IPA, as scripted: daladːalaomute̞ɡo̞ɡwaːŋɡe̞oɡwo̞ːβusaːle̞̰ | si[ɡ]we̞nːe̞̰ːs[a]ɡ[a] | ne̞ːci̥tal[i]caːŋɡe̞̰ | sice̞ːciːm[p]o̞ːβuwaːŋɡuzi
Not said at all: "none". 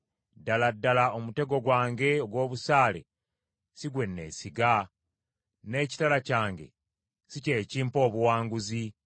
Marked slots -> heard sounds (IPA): ɡ, i, a, a, p

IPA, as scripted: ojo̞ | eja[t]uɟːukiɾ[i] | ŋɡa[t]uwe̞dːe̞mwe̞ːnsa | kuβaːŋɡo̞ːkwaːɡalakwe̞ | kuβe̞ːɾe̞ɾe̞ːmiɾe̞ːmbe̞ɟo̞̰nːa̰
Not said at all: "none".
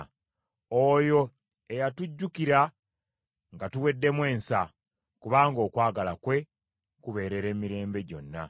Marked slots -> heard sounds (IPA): t, a, t

